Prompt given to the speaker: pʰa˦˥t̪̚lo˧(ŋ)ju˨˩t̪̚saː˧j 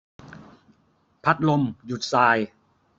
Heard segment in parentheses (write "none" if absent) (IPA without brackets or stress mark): m